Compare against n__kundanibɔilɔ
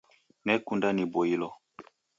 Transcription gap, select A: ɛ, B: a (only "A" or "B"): A